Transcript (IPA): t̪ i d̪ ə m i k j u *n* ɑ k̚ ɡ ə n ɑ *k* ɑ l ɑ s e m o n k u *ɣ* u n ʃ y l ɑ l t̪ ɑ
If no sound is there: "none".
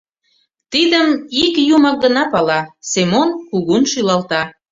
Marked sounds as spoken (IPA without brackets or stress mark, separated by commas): m, p, ɣ